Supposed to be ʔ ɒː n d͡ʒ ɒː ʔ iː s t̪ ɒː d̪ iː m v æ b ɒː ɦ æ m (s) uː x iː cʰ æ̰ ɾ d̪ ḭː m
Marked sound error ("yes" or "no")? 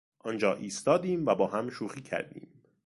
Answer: yes